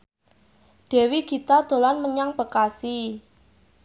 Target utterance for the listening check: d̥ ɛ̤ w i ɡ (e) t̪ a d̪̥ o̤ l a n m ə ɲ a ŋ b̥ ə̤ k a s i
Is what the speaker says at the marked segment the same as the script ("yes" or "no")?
no